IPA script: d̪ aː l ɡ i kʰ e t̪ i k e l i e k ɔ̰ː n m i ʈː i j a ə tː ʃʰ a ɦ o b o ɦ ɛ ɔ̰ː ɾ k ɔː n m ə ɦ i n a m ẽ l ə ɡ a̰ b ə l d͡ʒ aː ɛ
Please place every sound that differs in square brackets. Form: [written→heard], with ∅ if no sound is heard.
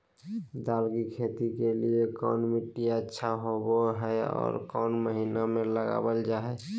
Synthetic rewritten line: d̪ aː l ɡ i kʰ e t̪ i k e l i e k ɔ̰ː n m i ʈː i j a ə tː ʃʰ a ɦ o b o ɦ ɛ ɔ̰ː ɾ k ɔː n m ə ɦ i n a m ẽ l ə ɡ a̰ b ə l d͡ʒ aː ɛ